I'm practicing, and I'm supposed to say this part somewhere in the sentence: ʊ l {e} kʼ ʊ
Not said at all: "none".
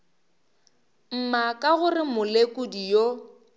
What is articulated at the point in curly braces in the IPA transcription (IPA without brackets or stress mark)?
e